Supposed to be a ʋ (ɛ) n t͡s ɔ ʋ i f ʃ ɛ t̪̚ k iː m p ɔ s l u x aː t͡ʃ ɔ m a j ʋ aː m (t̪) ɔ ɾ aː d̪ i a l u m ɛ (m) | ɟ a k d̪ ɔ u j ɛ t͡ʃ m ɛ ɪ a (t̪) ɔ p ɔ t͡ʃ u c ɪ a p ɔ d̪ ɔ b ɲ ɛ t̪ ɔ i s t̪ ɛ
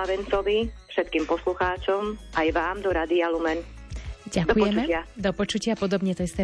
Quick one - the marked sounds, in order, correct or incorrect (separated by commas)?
correct, incorrect, incorrect, incorrect